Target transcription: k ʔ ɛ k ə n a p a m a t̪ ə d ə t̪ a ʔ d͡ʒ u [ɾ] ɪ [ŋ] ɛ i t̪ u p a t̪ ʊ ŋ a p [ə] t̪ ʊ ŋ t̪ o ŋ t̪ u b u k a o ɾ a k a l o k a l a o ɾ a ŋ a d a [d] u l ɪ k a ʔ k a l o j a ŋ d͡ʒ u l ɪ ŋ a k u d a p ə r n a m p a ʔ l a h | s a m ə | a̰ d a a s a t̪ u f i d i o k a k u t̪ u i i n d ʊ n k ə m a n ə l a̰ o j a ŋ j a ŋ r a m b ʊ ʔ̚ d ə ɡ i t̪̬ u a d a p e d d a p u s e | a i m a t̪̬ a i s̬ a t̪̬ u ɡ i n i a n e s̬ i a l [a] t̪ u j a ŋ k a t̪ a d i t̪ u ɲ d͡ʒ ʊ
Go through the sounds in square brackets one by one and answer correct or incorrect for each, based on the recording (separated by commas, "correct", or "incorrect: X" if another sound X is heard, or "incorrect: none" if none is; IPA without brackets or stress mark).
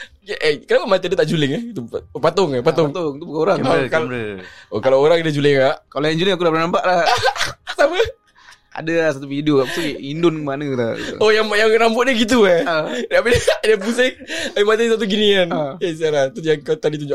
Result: incorrect: l, correct, incorrect: a, incorrect: d͡ʒ, correct